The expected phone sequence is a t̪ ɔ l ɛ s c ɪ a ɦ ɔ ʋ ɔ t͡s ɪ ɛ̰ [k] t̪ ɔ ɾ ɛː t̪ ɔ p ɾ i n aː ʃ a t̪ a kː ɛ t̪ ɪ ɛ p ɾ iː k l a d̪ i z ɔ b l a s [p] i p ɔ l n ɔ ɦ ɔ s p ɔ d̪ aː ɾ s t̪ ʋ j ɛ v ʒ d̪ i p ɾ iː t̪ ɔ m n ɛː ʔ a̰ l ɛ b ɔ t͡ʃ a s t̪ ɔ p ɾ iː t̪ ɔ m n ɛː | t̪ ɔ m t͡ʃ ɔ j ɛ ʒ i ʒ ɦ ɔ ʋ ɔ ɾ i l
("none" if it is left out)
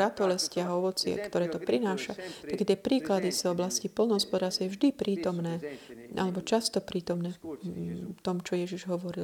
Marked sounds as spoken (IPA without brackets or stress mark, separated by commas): k, c